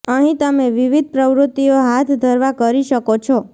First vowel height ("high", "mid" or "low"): mid